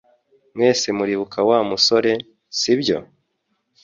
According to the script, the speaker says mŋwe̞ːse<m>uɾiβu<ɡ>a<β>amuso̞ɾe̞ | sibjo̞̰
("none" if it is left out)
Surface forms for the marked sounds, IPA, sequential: m, k, w

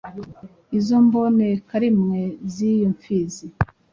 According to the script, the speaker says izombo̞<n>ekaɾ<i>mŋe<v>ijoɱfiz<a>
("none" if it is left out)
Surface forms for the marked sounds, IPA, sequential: n, i, z, i

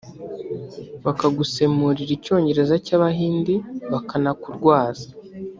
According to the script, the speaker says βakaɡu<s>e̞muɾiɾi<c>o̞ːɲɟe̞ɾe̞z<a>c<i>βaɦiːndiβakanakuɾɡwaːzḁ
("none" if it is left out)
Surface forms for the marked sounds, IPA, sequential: s, c, a, a

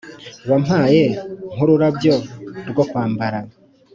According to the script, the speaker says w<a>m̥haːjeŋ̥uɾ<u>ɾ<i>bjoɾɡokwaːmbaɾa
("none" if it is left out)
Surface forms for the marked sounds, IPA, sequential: a, u, a

